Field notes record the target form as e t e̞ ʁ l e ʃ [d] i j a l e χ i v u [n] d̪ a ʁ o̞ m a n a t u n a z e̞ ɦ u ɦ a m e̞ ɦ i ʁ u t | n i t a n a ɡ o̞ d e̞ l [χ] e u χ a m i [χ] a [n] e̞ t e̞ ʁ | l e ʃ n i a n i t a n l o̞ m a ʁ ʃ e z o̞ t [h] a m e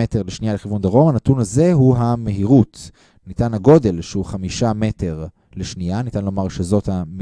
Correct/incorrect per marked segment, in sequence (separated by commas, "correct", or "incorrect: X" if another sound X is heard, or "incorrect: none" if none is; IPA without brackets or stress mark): incorrect: n, correct, incorrect: ʃ, incorrect: ʃ, incorrect: m, correct